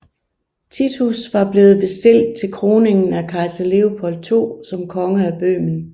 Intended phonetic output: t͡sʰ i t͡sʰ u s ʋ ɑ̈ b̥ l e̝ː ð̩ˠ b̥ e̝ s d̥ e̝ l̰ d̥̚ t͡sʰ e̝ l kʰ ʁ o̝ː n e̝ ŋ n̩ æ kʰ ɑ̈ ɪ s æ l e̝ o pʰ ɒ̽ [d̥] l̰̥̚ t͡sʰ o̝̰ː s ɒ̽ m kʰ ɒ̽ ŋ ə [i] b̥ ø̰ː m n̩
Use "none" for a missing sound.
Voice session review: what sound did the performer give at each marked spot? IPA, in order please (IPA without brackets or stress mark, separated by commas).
none, æ